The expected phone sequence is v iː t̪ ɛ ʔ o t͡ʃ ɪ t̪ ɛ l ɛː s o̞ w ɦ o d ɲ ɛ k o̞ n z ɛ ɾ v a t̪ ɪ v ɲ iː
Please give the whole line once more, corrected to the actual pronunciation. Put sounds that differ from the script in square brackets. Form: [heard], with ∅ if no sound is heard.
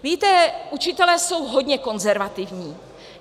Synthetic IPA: v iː t̪ ɛ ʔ [u] t͡ʃ ɪ t̪ ɛ l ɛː s o̞ w ɦ o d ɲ ɛ k o̞ n z ɛ ɾ v a t̪ ɪ v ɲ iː